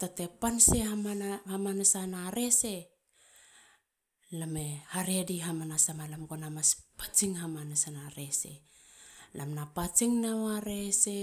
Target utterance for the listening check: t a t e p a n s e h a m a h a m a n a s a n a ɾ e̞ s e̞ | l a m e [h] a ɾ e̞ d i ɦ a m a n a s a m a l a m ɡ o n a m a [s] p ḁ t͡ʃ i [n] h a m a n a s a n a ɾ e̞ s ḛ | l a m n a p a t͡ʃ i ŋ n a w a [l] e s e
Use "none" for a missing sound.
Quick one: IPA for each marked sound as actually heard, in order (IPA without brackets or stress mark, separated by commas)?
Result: h, s, ŋ, ɾ